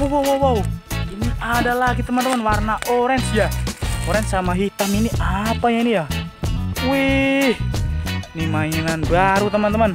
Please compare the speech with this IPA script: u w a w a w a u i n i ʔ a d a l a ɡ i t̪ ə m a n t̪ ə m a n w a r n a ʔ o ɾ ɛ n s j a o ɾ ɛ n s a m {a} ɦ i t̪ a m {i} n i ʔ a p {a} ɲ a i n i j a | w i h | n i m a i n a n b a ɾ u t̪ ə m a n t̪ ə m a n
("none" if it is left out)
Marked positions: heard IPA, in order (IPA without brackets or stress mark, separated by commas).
a, i, a